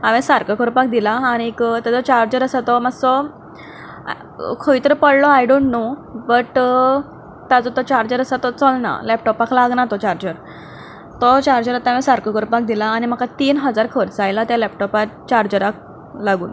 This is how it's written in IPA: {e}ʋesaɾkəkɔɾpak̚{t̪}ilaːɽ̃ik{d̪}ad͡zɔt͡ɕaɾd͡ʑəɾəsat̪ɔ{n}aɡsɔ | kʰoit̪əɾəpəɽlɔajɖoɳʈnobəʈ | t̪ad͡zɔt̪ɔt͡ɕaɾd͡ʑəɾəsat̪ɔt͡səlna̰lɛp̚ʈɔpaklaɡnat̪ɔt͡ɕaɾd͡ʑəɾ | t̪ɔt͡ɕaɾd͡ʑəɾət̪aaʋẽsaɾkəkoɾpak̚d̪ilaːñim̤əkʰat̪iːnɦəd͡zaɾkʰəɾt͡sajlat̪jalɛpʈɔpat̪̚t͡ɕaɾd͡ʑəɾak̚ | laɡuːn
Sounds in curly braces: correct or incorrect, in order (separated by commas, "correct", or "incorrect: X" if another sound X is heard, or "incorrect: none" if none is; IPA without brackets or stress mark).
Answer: incorrect: a, incorrect: d̪, incorrect: t̪, incorrect: m